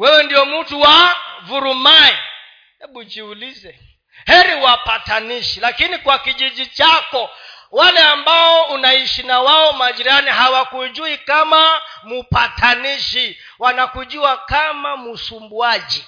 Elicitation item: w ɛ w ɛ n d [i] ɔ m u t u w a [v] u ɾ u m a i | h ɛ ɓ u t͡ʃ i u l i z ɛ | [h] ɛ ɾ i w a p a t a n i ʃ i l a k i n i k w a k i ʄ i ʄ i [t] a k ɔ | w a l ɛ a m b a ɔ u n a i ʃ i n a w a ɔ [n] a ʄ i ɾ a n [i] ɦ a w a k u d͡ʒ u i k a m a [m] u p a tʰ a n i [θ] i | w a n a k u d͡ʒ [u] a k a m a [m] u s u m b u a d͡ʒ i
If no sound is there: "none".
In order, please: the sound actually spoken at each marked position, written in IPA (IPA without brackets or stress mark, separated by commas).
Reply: i, v, h, t͡ʃ, m, i, m, ʃ, u, m